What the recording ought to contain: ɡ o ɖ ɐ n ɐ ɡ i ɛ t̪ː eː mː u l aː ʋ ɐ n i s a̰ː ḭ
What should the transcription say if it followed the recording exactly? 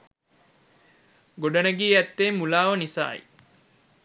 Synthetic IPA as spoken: ɡ o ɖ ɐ n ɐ ɡ iː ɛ t̪ː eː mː u l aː ʋ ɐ n i s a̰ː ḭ